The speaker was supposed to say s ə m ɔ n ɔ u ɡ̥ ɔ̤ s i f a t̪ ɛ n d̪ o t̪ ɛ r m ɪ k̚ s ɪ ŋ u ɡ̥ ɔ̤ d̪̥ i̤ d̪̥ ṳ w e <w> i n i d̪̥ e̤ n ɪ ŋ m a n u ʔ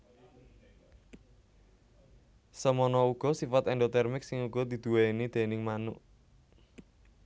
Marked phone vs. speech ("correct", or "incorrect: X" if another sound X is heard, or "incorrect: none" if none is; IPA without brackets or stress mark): incorrect: none